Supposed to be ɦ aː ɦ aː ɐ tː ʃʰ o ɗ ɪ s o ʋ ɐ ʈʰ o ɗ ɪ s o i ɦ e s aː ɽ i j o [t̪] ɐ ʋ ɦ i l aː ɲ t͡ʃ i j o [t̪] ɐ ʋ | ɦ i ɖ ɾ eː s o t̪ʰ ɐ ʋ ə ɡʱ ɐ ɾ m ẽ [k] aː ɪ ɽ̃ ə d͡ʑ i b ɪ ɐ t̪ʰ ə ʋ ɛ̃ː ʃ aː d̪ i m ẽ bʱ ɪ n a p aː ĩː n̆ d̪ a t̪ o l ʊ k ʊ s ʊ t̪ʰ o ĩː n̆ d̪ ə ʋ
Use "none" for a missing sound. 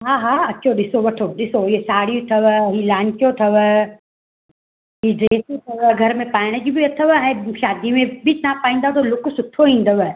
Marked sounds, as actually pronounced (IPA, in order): t̪ʰ, t̪ʰ, p

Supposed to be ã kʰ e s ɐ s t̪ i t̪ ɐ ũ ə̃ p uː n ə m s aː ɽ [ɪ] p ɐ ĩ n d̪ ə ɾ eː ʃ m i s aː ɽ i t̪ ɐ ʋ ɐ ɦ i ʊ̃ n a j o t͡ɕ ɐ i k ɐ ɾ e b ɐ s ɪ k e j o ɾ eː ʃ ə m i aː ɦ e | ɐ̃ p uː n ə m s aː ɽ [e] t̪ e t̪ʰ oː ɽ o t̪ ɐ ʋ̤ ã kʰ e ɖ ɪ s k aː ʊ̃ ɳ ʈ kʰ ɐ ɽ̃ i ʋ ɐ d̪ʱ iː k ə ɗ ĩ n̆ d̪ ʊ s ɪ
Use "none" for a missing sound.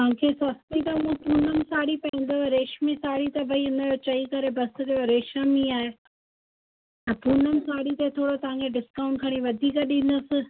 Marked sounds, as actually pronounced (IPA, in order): i, i

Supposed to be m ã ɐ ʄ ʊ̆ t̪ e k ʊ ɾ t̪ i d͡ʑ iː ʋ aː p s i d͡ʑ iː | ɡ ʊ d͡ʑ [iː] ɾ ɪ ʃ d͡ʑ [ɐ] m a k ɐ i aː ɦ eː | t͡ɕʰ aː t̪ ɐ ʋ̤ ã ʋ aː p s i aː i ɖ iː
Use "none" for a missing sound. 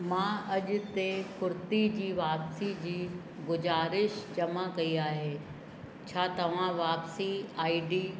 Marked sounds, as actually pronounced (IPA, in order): aː, ɐ

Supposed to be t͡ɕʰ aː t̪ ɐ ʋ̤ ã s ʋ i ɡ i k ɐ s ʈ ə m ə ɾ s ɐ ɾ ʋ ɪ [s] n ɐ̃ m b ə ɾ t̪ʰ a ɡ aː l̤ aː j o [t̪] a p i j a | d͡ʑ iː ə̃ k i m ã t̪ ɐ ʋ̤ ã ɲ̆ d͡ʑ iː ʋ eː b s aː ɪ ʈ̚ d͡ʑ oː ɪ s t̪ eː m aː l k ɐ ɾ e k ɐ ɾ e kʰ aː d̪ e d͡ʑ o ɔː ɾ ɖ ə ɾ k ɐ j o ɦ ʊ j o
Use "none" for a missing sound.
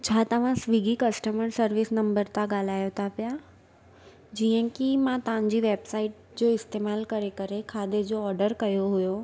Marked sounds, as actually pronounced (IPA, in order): s, t̪ʰ

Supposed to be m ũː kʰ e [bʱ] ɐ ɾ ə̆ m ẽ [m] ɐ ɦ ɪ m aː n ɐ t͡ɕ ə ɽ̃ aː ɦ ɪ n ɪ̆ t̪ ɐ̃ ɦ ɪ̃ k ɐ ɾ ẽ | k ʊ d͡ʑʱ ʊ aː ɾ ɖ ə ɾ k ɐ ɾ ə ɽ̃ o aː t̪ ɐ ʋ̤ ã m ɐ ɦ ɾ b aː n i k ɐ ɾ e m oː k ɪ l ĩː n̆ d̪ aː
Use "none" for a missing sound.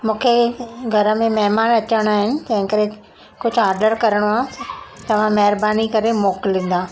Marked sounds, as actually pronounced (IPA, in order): ɡʱ, m

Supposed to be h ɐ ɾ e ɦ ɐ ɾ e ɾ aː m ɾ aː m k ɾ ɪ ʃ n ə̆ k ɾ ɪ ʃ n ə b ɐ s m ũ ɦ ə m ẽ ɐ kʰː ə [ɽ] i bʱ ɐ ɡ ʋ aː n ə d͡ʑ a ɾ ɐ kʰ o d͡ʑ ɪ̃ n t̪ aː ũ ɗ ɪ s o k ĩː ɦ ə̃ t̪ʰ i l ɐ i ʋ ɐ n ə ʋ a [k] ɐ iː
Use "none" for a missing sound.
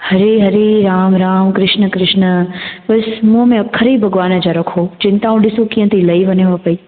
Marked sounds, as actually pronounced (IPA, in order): ɾ, p

